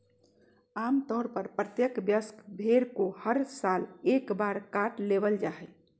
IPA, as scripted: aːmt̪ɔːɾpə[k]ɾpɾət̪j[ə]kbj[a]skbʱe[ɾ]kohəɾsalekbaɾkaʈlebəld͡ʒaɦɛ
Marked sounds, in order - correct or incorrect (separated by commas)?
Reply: incorrect, correct, incorrect, correct